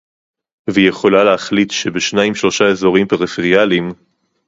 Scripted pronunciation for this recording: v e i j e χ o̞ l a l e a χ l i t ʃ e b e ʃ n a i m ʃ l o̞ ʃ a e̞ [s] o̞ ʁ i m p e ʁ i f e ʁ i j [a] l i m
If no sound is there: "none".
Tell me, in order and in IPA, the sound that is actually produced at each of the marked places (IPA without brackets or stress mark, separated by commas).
z, a